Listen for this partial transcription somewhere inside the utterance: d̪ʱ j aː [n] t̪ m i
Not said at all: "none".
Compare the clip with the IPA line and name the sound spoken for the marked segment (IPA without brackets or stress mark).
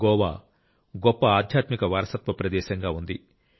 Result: none